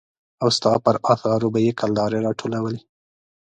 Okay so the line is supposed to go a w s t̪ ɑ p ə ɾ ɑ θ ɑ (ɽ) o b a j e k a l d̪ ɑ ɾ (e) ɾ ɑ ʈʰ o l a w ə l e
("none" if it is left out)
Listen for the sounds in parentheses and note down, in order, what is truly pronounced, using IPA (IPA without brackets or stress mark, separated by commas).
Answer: ɾ, e